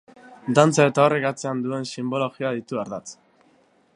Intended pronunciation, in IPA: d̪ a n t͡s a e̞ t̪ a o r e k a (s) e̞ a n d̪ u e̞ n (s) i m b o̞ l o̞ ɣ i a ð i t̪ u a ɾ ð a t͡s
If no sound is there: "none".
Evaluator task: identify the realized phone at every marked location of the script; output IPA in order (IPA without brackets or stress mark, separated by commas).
t͡s, s